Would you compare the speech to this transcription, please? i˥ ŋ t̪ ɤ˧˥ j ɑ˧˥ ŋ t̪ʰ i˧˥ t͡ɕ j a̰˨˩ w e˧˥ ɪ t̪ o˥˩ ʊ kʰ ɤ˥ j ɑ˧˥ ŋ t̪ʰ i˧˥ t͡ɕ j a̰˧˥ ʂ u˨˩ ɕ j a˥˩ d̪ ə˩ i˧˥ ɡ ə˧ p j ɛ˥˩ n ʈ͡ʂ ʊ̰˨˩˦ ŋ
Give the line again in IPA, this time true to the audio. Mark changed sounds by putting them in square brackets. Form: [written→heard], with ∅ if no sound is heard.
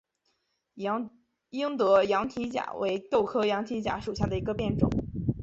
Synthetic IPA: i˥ ŋ t̪ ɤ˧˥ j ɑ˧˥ ŋ t̪ʰ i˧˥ t͡ɕ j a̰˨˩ w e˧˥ ɪ t̪ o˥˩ ʊ kʰ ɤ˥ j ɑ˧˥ ŋ t̪ʰ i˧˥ t͡ɕ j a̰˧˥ ʂ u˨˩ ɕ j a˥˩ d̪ ə˩ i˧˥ ɡ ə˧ p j ɛ˥˩ n ʈ͡ʂ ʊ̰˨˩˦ ŋ